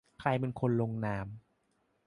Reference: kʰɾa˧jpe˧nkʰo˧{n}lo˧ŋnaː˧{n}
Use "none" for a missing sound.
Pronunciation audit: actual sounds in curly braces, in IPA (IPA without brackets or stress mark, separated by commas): n, m